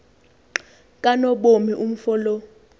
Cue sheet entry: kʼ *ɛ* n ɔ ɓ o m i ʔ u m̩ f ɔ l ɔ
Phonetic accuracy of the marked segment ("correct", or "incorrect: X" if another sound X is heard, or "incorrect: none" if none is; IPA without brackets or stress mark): incorrect: a